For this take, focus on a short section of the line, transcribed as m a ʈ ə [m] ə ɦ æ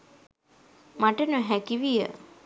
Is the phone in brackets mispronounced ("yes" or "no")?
yes